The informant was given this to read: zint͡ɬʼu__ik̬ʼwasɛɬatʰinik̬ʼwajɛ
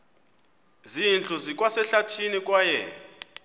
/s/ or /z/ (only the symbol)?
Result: z